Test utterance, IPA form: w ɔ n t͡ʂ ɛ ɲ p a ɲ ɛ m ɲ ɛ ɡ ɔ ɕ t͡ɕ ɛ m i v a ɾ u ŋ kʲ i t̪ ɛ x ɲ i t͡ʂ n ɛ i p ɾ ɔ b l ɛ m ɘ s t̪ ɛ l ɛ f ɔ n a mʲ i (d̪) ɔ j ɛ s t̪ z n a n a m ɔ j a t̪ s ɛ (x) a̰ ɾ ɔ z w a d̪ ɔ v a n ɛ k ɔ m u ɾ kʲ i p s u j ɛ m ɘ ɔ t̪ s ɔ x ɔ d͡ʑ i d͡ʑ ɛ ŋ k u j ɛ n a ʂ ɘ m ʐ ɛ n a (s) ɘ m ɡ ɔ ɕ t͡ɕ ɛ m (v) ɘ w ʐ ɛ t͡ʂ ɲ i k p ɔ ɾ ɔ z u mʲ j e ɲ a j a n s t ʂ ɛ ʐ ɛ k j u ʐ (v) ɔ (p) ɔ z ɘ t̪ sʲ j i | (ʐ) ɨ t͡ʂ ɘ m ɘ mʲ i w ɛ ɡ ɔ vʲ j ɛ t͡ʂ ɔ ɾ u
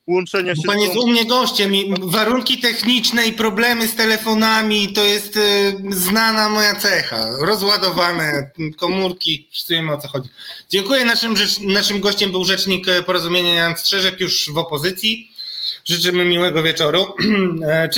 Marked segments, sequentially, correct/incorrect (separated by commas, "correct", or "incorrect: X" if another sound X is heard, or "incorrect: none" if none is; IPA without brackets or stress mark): incorrect: t̪, correct, incorrect: ʂ, incorrect: b, correct, correct, correct